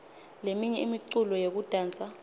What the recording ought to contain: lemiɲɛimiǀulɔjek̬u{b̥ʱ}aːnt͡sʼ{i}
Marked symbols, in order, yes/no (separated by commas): no, no